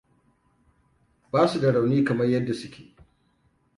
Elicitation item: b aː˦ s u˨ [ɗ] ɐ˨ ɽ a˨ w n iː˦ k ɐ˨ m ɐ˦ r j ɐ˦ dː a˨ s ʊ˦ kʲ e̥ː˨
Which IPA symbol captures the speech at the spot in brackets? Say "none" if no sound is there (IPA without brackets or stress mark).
d